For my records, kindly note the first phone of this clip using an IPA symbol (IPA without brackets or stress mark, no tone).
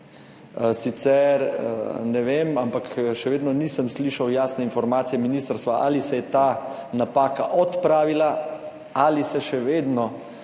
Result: s